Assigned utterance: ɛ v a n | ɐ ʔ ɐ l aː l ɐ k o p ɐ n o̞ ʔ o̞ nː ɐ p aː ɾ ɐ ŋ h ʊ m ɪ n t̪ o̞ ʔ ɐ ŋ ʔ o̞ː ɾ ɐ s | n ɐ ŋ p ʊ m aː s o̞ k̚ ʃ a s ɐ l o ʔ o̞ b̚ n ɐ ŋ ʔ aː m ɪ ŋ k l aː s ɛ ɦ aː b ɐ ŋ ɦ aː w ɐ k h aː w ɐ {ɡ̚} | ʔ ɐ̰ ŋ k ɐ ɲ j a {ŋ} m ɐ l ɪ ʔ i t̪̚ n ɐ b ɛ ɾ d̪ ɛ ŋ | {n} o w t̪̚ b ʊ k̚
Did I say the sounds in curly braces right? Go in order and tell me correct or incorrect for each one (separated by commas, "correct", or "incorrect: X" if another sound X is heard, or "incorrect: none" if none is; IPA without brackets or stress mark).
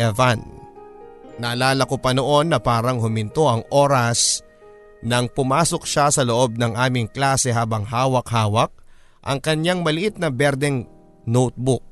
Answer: incorrect: k̚, correct, correct